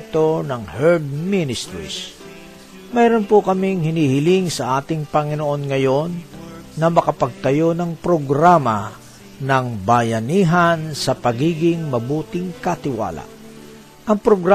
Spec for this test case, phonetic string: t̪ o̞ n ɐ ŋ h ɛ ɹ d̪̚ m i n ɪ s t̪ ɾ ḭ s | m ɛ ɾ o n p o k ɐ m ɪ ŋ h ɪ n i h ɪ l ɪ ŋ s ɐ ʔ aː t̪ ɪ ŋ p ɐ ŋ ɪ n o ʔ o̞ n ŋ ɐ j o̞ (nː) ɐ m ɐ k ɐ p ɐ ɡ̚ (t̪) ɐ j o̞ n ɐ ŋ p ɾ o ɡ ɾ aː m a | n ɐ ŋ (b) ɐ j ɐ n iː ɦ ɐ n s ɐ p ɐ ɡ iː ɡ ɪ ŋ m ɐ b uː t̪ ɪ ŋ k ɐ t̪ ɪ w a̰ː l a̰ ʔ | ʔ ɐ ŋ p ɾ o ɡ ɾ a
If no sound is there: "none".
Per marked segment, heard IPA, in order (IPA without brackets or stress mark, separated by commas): nː, t̪, b